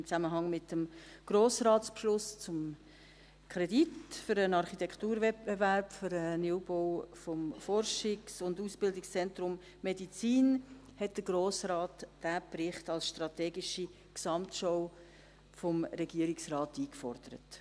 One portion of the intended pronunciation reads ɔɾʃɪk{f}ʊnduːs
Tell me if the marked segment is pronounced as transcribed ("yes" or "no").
no